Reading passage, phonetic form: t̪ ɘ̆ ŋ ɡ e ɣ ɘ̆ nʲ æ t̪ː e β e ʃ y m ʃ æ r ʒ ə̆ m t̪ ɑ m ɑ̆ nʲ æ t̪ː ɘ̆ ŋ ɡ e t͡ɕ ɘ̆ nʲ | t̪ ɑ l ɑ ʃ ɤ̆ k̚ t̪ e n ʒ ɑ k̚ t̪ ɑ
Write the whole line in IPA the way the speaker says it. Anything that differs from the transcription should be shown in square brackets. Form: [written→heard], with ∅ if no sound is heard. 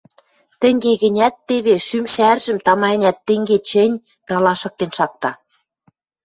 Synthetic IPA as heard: t̪ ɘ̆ ŋ ɡ e ɣ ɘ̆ nʲ æ t̪ː e β e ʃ y m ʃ æ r ʒ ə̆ m t̪ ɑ m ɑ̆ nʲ æ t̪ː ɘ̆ ŋ ɡ e t͡ɕ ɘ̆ nʲ | t̪ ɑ l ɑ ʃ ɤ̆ k̚ t̪ e n [ʒ→ʃ] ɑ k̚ t̪ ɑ